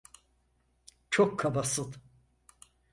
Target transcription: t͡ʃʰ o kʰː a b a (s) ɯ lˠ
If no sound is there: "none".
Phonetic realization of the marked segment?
s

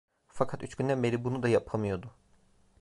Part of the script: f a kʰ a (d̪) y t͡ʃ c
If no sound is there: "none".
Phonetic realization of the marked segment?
t̪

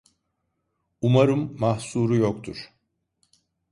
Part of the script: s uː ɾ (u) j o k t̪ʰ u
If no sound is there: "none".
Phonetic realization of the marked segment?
u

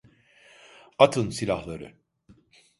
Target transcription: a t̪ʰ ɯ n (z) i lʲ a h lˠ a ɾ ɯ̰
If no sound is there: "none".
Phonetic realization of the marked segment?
s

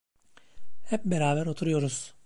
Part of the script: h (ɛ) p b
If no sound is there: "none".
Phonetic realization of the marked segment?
ɛ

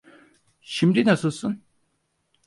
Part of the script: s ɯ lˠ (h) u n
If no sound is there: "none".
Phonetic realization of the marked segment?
s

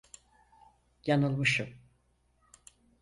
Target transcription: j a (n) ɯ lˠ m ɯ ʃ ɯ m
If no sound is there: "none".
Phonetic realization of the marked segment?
n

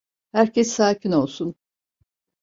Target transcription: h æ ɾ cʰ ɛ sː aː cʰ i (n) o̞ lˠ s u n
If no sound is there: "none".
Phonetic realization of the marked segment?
n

